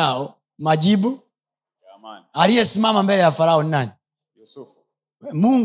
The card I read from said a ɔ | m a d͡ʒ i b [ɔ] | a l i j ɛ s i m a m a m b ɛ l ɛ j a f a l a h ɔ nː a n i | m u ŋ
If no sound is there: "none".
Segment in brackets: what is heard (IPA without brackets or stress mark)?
u